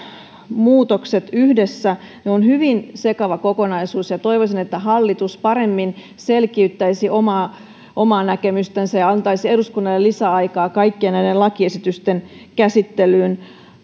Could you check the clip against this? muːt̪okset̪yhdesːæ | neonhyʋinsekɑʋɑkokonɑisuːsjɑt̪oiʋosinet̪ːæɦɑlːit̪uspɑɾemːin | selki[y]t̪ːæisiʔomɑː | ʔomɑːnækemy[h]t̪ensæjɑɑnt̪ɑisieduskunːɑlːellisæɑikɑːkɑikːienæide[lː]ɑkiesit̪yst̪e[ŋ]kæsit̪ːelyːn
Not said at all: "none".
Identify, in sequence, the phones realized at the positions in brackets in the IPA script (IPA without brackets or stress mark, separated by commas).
y, s, l, n